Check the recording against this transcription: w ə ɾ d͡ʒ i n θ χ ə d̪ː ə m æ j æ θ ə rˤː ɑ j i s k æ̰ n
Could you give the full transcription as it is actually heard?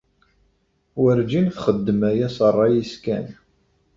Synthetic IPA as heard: w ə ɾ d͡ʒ i n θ χ ə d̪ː ə m æ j æ s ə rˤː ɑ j i s k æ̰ n